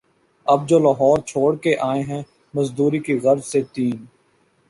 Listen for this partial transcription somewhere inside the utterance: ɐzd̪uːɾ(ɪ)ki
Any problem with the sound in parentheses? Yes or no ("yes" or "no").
yes